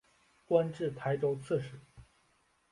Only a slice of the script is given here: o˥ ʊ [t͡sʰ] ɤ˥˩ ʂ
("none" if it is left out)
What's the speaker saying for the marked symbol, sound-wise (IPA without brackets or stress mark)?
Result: t͡sʰ